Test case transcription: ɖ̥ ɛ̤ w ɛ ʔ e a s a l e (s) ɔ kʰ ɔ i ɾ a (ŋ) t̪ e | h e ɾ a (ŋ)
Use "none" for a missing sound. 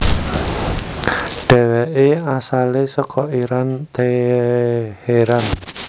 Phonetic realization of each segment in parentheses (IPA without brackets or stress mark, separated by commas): s, n, n